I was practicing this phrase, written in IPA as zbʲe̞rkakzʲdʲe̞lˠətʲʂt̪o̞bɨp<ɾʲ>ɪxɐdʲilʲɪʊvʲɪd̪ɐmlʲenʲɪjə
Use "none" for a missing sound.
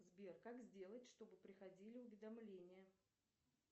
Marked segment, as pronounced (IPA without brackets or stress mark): ɾʲ